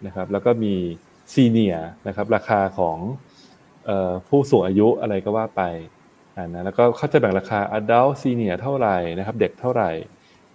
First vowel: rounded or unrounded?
unrounded